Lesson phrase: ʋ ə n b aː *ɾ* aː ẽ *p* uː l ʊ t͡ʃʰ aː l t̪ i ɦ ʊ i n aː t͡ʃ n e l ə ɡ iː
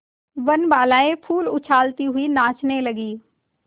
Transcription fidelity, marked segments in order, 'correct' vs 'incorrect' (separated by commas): incorrect, incorrect